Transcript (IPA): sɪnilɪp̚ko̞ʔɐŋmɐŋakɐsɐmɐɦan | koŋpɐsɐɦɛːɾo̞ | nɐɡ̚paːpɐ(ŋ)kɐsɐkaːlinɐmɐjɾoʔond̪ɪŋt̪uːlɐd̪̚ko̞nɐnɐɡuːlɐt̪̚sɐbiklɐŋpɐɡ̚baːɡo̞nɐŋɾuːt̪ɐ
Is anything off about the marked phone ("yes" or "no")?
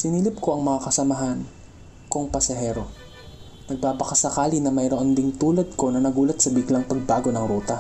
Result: yes